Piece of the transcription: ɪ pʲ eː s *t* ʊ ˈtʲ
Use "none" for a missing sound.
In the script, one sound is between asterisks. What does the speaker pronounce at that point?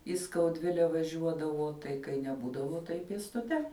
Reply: t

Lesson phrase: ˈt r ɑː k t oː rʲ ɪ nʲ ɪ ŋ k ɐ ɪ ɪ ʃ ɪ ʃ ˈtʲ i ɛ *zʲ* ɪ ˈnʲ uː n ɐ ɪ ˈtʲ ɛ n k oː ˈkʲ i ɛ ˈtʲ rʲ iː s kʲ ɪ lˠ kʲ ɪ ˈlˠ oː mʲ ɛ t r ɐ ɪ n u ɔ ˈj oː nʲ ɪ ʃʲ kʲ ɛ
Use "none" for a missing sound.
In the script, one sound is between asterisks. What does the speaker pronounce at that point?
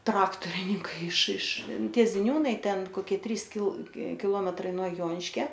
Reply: zʲ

